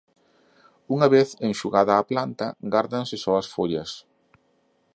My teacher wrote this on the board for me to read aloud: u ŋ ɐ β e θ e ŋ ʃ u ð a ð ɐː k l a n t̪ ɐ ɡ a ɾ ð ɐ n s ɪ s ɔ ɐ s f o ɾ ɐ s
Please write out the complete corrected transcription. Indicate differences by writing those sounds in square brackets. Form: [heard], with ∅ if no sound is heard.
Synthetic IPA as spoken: u ŋ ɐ β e θ e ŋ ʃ u [ɣ] a ð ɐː [p] l a n t̪ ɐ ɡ a ɾ ð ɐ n s ɪ s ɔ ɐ s f o [ʎ] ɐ s

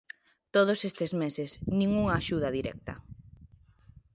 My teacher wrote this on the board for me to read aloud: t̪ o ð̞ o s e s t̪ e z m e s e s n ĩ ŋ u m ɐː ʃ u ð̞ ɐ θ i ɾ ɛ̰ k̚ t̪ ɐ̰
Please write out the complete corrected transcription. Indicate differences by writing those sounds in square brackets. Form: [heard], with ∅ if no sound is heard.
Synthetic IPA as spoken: t̪ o ð̞ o s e s t̪ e z m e s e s n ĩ ŋ u [ŋ] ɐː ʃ u ð̞ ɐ [ð] i ɾ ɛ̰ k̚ t̪ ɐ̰

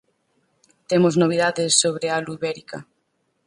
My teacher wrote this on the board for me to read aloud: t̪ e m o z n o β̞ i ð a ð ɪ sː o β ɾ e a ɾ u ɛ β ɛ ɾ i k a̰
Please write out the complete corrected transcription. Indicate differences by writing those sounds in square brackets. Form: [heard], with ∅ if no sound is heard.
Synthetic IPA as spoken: t̪ e m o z n o β̞ i ð a ð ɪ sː o β ɾ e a [l] u [i] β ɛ ɾ i k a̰

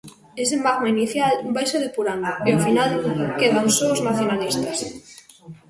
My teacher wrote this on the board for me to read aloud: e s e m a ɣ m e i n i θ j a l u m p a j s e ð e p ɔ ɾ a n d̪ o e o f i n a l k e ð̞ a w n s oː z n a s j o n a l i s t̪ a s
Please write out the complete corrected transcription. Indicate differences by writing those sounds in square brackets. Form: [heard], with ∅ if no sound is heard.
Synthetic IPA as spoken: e s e m a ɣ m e i n i θ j a l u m [b] a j s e ð e p [u] ɾ a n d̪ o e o f i n a l k e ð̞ a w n s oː z n a [θ] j o n a l i s t̪ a s

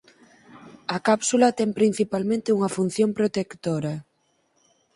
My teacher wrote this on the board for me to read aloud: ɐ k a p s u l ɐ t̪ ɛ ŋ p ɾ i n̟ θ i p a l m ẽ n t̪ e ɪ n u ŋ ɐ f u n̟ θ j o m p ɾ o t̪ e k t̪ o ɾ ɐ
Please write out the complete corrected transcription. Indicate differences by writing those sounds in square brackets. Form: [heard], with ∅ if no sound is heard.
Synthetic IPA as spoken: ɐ k a p s u l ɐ t̪ ɛ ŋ p ɾ i n̟ θ i p a l m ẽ n t̪ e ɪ [∅] u ŋ ɐ f u n̟ θ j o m p ɾ o t̪ e k t̪ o ɾ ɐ

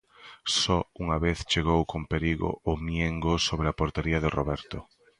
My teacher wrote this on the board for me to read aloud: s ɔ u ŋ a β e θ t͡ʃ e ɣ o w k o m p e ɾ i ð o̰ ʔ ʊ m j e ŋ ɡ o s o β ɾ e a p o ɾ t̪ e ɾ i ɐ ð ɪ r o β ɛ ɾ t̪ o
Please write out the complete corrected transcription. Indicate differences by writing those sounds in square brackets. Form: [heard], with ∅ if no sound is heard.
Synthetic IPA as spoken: s ɔ u ŋ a β e θ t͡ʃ e ɣ o w k o m p e ɾ i [ɣ] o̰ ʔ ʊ m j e ŋ ɡ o s o β ɾ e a p o ɾ t̪ e ɾ i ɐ ð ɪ r o β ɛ ɾ t̪ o

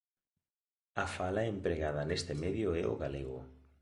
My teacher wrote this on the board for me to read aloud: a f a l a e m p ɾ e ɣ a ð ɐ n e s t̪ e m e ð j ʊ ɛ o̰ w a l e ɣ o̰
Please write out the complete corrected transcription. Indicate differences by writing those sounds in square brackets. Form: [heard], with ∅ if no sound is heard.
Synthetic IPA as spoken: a f a l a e m p ɾ e ɣ a ð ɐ n e s t̪ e m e ð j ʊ ɛ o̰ [ɣ] a l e ɣ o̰

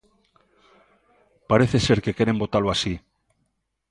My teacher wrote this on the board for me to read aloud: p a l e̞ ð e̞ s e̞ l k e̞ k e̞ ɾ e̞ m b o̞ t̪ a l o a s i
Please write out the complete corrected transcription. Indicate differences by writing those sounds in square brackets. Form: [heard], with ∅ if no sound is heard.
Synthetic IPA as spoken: p a [ɾ] e̞ [θ] e̞ s e̞ [ɾ] k e̞ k e̞ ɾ e̞ m b o̞ t̪ a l o a s i

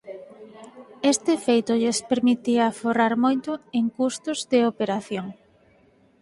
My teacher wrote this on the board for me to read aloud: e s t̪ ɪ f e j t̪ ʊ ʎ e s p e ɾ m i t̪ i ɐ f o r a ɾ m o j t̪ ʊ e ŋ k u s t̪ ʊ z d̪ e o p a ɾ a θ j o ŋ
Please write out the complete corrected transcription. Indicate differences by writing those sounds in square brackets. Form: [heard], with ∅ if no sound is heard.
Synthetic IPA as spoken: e s t̪ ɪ f e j t̪ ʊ ʎ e s p e ɾ m i t̪ i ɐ f o r a ɾ m o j t̪ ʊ e ŋ k u s t̪ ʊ z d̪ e o p [e] ɾ a θ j o ŋ

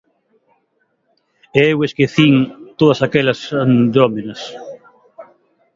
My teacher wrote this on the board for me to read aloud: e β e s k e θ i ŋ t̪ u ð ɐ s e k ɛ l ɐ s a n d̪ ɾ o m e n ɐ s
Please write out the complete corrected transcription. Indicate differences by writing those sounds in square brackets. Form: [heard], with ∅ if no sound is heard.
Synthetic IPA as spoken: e [w] e s k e θ i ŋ t̪ [o] ð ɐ s [a] k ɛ l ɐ s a n d̪ ɾ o m e n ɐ s

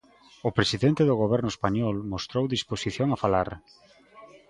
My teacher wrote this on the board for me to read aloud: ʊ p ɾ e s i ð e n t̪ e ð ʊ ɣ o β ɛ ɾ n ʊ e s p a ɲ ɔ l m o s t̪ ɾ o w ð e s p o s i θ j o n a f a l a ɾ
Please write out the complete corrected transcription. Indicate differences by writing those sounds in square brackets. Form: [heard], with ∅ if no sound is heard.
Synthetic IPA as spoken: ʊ p ɾ e s i ð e n t̪ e ð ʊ ɣ o β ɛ ɾ n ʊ e s p a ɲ ɔ l m o s t̪ ɾ o w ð [i] s p o s i θ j o [ŋ] a f a l a ɾ

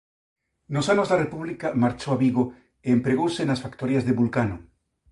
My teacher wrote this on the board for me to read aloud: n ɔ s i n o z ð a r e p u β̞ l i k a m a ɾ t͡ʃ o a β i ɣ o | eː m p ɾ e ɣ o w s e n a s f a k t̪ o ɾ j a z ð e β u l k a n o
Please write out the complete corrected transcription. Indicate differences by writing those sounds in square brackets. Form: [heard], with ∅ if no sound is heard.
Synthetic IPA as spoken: n [o] s [a] n o z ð a r e p u β̞ l i k a m a ɾ t͡ʃ o a β i ɣ o | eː m p ɾ e ɣ o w s e n a s f a k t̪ o ɾ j a z ð e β u l k a n o

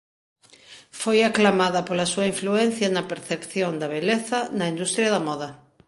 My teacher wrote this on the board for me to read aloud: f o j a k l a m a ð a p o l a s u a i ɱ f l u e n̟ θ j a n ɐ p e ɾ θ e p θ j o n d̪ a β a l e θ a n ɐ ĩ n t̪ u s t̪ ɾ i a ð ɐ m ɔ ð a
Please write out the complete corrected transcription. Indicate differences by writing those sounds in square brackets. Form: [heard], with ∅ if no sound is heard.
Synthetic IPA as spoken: f o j a k l a m a ð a p o l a s u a i ɱ f l u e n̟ θ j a n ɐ p e ɾ θ e p θ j o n d̪ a β [e] l e θ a n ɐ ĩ n [d̪] u s t̪ ɾ [j] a ð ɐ m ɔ ð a

